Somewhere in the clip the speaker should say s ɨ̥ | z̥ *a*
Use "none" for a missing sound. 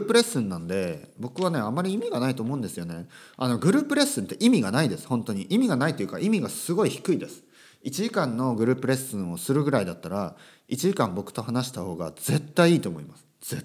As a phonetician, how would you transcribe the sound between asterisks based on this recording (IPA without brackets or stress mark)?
e